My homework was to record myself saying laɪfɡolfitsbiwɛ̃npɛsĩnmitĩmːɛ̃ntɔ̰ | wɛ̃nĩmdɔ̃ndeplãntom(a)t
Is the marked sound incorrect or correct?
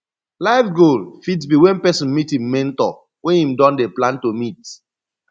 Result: incorrect: i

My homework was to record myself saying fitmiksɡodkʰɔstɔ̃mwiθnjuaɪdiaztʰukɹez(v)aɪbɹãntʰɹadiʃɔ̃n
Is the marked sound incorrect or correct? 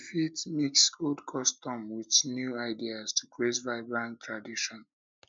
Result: correct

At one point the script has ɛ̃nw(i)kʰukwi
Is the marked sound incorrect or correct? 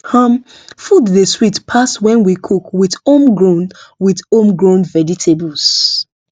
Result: correct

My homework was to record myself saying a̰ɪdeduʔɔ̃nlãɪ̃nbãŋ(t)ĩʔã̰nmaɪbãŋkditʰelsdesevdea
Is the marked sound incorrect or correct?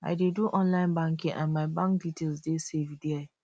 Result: incorrect: k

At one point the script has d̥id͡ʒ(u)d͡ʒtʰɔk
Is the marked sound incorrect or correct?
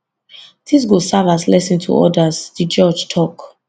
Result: incorrect: ɔ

